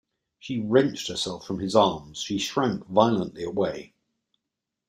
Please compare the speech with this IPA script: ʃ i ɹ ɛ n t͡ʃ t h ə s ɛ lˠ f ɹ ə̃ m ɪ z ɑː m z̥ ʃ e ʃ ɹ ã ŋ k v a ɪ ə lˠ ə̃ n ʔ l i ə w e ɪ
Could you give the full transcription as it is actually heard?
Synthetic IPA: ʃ i ɹ ɛ̃ n t͡ʃ t h ə s ɛ lˠ f ɹ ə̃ m ɪ z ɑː m z̥ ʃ i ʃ ɹ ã ŋ k v a ɪ ə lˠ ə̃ n ʔ l i ə w e ɪ